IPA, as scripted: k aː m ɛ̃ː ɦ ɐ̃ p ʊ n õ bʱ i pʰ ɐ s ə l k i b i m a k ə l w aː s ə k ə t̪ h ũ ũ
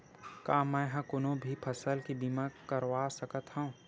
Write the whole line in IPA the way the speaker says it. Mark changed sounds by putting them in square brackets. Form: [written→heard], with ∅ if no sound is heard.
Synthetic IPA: k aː m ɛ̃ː ɦ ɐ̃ [p→k] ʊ n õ bʱ i pʰ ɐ s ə l k i b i m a k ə [l→ɾ] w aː s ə k ə t̪ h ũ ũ